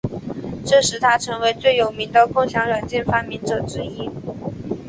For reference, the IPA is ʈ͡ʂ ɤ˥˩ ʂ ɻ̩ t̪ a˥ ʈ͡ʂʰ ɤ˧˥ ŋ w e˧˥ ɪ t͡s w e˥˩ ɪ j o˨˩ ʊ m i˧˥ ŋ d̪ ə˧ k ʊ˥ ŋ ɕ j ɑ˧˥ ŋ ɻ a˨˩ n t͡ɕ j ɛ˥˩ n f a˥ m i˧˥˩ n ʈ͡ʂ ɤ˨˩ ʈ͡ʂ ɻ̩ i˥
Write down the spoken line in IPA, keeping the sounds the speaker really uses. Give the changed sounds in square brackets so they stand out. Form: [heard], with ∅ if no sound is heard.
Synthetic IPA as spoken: ʈ͡ʂ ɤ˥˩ ʂ ɻ̩ [t̪ʰ] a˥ ʈ͡ʂʰ ɤ˧˥ ŋ w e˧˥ ɪ t͡s w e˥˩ ɪ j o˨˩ ʊ m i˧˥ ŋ d̪ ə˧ k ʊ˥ ŋ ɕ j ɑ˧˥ ŋ ɻ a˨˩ n t͡ɕ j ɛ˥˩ n f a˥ m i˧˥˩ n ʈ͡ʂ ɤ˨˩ ʈ͡ʂ ɻ̩ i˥